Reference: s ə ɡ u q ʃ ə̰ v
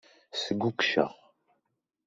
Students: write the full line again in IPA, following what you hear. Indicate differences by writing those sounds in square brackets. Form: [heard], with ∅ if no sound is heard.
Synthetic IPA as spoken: s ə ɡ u [k] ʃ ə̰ [ʁ]

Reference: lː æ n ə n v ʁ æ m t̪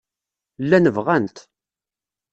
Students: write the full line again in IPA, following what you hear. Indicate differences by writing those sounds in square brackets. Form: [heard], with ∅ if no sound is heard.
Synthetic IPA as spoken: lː æ n ə [∅] v ʁ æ [n] t̪

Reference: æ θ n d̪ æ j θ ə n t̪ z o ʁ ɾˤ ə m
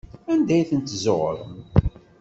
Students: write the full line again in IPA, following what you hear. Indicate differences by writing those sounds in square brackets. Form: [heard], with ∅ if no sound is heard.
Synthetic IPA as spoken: æ [∅] n d̪ æ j θ ə n t̪ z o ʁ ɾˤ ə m

